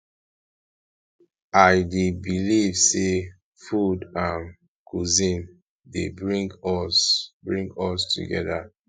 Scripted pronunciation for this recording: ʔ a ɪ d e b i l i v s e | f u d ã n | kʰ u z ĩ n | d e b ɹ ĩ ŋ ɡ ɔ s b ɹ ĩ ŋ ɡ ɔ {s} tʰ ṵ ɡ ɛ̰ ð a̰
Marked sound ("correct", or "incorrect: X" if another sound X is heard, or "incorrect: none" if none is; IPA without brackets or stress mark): correct